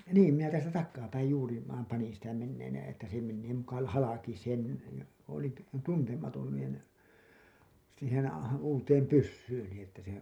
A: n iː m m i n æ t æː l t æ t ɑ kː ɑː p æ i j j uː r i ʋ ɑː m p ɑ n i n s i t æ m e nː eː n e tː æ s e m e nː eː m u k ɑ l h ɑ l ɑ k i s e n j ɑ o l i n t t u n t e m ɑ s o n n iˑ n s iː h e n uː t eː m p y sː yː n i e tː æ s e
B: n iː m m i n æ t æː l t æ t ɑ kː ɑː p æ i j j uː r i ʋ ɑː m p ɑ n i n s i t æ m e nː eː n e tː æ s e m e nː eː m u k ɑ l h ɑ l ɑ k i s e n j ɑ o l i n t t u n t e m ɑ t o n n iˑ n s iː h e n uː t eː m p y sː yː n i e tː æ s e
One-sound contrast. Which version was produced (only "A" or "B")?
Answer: B